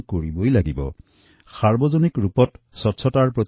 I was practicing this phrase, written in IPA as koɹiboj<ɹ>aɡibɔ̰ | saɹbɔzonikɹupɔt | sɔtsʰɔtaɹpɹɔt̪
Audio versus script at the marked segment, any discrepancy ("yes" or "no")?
yes